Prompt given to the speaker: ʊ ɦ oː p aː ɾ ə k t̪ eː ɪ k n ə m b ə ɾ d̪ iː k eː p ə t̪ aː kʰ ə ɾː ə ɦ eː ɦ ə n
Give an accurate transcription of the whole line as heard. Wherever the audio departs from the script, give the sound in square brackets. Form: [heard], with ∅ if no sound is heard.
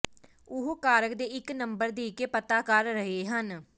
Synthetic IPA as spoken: ʊ ɦ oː [k] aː ɾ ə k [d̪] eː ɪ k n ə m b ə ɾ d̪ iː k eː p ə t̪ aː [k] ə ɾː ə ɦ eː ɦ ə n